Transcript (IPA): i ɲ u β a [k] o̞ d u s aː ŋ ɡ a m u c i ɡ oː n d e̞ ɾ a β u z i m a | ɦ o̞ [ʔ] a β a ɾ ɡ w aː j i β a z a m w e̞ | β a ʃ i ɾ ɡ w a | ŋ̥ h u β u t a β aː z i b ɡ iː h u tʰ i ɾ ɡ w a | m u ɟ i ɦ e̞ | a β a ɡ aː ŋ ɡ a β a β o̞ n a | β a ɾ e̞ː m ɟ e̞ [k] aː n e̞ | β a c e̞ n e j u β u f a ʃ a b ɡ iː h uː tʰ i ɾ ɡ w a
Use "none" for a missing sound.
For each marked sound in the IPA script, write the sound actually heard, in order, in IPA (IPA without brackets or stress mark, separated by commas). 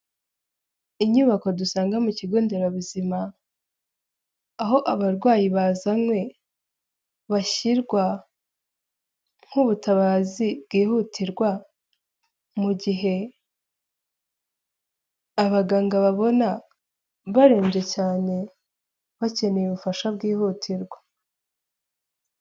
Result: k, ʔ, c